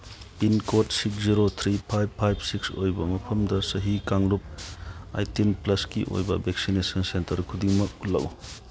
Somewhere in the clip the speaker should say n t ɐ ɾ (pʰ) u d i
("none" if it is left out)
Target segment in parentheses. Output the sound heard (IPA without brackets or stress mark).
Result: kʰ